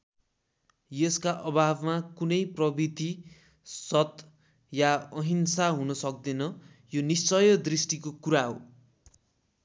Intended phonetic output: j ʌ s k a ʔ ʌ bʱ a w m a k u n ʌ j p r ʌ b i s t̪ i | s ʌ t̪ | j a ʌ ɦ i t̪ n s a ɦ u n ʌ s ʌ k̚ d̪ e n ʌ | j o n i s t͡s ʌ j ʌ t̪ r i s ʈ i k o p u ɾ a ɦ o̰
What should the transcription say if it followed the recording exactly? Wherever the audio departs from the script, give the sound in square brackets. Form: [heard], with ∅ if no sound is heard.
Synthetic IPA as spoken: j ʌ s k a ʔ ʌ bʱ a [b] m a k u n ʌ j p r ʌ b i [∅] t̪ i | s ʌ t̪ | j a ʌ ɦ i [∅] n s a ɦ u n ʌ s ʌ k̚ d̪ e n ʌ | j o n i s t͡s ʌ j ʌ [d̪] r i s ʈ i k o [k] u ɾ a ɦ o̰